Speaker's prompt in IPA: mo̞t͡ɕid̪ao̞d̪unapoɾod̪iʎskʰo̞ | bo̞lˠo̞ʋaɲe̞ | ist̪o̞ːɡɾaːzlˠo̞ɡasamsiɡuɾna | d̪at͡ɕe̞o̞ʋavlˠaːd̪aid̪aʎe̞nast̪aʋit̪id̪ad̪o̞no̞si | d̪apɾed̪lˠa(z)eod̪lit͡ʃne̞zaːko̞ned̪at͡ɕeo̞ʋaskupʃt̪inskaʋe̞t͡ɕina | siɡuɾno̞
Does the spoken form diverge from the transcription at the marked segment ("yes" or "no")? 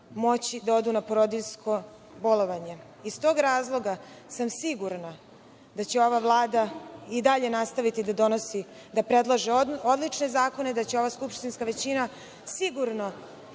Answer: yes